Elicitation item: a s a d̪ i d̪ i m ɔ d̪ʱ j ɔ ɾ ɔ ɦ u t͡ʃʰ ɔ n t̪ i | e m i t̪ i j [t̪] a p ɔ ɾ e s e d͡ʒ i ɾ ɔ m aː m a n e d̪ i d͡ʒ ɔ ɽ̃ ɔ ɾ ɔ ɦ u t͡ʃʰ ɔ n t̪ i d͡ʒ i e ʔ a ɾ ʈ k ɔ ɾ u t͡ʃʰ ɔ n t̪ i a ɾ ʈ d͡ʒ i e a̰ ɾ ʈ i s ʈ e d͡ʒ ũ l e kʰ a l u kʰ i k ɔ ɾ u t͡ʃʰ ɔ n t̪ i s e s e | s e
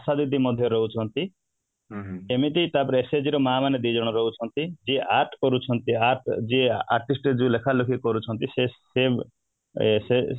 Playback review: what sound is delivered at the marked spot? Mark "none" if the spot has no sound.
t̪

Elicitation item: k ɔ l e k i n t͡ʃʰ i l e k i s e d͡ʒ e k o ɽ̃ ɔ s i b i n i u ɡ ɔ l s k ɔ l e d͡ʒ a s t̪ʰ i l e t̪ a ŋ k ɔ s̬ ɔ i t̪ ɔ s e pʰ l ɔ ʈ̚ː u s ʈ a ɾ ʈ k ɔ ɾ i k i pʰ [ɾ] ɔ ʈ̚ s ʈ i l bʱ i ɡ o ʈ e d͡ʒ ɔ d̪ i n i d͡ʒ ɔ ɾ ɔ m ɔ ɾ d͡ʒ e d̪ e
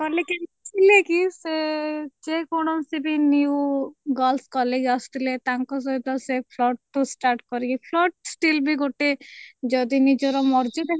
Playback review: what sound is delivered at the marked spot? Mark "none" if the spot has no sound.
l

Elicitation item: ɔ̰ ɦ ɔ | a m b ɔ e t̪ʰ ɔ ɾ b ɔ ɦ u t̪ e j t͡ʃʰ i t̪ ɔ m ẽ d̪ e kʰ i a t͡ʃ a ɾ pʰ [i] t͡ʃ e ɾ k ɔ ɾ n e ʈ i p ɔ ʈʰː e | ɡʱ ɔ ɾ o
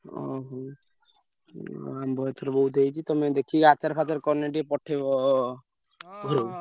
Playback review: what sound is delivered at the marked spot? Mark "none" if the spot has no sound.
a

